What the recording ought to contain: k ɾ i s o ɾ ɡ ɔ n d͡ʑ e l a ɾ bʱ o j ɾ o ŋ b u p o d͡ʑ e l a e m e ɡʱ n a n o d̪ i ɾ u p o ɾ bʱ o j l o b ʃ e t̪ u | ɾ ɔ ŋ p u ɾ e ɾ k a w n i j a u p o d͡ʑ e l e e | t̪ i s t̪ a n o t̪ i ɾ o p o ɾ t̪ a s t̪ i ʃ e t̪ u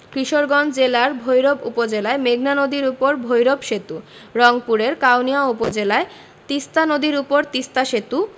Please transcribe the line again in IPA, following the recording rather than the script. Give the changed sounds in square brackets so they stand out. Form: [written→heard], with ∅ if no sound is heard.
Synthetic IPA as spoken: k ɾ i [s→ʃ] o ɾ ɡ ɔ n d͡ʑ e l a ɾ bʱ o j ɾ o [ŋ→∅] b u p o d͡ʑ e l a e m e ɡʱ n a n o d̪ i ɾ u p o ɾ bʱ o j [l→ɾ] o b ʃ e t̪ u | ɾ ɔ ŋ p u ɾ e ɾ k a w n i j a u p o d͡ʑ e l [e→a] e | t̪ i s t̪ a n o [t̪→d̪] i ɾ [o→u] p o ɾ t̪ [a→i] s t̪ [i→a] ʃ e t̪ u